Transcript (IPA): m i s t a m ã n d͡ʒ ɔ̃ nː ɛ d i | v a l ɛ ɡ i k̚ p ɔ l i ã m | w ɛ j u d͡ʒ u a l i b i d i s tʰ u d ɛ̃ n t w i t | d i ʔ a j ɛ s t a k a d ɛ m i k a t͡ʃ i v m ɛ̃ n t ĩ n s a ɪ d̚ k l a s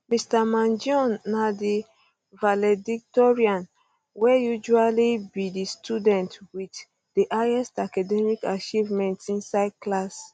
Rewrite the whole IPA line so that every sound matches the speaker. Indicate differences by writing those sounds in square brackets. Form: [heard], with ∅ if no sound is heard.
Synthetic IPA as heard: m i s t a m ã n d͡ʒ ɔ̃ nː [a] d i | v a l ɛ [d] i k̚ [t] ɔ [ɹ] i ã [n] | w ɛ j u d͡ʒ u a l i b i d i s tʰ u d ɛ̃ n t w i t | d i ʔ a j ɛ s t a k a d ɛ m i k a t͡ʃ i v m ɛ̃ n t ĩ n s a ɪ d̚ k l a s